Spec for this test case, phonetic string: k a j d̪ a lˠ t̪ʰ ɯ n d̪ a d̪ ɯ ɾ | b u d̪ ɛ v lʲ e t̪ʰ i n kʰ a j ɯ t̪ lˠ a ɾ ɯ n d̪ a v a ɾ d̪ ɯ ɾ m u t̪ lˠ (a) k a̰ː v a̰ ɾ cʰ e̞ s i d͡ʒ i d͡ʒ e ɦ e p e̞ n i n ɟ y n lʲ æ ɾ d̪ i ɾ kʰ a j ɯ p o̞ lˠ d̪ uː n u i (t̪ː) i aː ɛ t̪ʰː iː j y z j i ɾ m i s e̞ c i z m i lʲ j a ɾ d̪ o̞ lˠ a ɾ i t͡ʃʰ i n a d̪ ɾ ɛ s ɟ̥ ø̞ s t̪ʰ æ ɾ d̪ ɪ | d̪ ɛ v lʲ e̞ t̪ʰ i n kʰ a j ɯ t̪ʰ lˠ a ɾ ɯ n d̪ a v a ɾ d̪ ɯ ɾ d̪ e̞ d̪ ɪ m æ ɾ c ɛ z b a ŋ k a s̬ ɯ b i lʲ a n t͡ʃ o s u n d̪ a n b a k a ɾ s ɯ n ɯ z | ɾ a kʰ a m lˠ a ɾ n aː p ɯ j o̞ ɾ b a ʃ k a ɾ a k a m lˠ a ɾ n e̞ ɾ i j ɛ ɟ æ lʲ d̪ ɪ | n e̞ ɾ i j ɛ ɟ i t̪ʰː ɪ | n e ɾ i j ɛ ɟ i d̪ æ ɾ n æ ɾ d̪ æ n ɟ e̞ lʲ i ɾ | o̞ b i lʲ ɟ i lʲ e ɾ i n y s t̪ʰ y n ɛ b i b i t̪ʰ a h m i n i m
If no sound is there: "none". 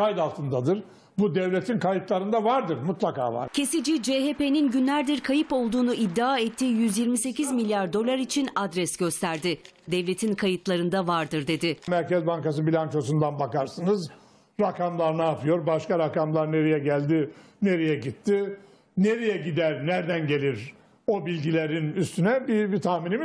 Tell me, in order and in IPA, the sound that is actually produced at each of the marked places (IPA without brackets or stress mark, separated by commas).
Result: a, d̪ː